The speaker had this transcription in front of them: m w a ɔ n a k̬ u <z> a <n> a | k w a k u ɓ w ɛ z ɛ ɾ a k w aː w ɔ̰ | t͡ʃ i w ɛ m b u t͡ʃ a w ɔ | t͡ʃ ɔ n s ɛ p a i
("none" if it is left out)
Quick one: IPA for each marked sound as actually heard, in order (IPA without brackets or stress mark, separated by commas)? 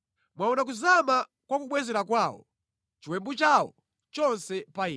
z, m